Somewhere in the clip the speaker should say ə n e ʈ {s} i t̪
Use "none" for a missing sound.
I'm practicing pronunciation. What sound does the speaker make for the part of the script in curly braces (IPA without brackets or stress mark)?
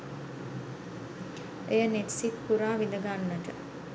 s